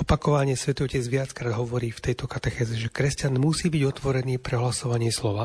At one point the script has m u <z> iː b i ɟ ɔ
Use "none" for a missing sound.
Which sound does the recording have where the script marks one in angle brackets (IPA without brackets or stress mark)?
s